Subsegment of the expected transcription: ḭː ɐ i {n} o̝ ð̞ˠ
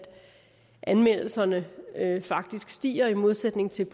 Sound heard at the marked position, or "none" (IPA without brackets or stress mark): m